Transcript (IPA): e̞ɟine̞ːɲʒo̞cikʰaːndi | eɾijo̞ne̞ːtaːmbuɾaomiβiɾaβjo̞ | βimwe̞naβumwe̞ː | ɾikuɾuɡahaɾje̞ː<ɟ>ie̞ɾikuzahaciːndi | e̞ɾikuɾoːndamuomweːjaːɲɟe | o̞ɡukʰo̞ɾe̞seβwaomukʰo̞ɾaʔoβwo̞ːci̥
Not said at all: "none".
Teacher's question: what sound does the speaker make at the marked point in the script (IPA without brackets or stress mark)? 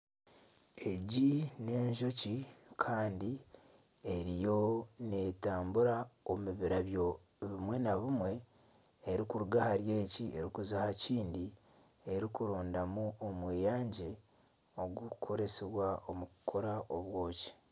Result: c